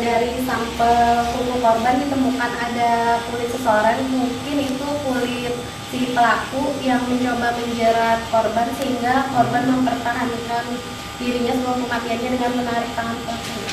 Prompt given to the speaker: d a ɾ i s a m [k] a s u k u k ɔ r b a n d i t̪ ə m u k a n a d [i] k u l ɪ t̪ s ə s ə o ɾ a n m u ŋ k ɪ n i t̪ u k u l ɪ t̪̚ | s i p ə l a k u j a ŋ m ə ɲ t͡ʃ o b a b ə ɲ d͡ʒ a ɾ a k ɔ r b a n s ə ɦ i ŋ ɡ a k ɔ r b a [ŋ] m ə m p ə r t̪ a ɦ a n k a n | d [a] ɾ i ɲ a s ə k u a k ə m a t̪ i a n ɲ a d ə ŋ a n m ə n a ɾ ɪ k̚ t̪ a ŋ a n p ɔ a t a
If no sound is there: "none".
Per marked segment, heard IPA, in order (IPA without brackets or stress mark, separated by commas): p, a, n, i